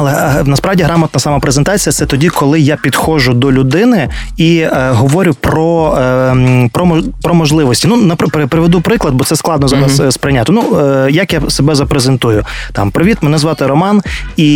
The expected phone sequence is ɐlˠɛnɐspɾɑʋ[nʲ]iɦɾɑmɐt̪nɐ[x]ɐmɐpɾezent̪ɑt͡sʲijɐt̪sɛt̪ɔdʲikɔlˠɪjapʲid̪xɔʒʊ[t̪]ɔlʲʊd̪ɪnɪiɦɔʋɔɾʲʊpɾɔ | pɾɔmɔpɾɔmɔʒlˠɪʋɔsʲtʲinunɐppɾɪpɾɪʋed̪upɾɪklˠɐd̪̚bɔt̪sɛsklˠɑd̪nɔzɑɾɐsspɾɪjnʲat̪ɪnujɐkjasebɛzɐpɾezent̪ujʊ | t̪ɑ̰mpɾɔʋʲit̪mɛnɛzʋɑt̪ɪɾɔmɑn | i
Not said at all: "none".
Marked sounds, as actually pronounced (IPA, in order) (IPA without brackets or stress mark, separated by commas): dʲ, s, d̪